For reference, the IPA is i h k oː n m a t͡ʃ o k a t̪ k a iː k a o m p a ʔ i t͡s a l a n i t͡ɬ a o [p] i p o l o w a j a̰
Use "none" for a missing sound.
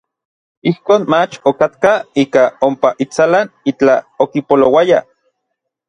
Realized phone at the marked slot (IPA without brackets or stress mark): k